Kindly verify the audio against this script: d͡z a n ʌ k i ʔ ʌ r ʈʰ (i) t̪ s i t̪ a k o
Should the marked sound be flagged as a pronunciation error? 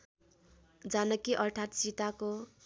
yes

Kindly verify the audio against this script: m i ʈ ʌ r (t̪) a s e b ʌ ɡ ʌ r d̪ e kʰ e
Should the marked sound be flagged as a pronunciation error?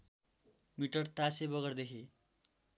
no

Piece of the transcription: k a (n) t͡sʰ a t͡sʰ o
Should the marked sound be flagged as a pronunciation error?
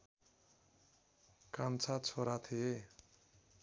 no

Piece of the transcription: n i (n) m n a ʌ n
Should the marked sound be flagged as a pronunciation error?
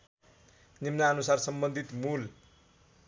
yes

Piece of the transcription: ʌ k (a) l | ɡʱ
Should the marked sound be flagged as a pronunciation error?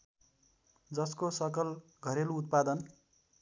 yes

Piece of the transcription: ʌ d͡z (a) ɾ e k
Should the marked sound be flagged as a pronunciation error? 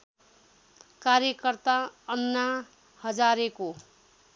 no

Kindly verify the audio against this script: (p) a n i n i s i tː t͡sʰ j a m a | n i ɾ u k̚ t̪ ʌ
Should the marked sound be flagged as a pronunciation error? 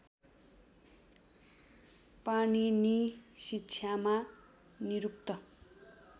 no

